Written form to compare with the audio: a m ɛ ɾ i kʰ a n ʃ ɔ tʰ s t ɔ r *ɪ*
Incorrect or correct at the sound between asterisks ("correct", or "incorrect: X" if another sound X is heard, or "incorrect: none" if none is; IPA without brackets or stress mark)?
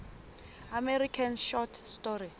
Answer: incorrect: i